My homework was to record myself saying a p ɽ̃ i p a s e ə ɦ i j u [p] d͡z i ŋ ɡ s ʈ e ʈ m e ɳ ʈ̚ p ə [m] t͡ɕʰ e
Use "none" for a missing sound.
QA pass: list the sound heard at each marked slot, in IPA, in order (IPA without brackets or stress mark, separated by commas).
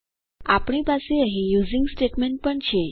none, ɳ